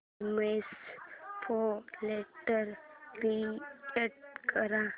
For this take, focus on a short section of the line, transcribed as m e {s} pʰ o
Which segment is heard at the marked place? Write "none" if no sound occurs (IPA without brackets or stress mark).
s